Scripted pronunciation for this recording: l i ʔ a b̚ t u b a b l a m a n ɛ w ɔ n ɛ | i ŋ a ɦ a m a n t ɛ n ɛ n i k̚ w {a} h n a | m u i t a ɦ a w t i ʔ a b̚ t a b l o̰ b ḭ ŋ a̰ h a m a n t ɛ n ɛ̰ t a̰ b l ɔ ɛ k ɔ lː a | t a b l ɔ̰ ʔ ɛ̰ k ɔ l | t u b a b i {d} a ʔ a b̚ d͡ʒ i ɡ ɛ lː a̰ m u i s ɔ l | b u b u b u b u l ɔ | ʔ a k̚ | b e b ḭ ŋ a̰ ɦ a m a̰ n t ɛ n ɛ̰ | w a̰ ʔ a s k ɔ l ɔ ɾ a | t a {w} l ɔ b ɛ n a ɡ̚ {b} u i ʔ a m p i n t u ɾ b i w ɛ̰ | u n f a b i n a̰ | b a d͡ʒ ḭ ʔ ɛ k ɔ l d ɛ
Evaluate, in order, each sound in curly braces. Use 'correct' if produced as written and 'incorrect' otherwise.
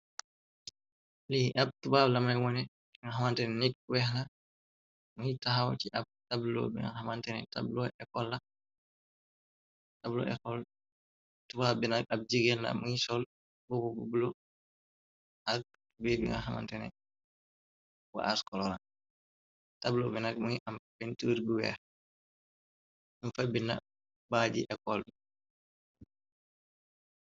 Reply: incorrect: ɛ, incorrect: n, incorrect: b, incorrect: m

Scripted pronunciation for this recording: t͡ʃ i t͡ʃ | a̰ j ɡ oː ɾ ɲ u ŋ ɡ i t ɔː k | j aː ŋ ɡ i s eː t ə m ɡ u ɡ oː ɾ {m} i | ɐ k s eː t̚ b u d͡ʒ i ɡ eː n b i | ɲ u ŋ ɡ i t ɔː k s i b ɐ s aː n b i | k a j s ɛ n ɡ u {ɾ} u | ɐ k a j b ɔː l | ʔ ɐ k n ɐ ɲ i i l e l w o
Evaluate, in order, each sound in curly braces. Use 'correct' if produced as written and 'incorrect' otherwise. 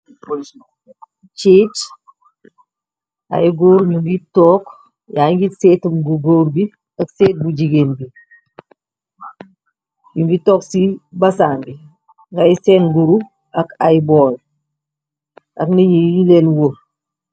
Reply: incorrect: b, correct

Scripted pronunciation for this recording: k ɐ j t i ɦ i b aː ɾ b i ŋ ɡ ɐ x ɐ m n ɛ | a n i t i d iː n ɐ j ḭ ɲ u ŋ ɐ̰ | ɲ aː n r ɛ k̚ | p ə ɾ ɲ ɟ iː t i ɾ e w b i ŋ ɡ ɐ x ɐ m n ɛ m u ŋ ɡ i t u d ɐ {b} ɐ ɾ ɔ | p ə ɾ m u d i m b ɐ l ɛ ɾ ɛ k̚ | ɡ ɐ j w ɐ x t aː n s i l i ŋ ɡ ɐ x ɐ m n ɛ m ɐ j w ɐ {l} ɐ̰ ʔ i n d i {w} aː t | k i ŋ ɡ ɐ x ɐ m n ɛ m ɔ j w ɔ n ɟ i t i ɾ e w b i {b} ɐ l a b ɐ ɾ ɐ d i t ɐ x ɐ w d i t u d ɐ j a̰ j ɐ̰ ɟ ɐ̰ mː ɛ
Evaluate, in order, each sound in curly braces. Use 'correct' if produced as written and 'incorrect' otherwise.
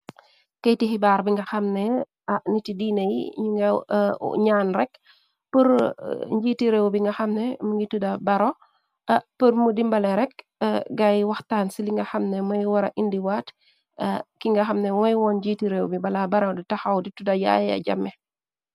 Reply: correct, incorrect: ɾ, correct, correct

